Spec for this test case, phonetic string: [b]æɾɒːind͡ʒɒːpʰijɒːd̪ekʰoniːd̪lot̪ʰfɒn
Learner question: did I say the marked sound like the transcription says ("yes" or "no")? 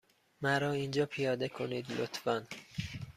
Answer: no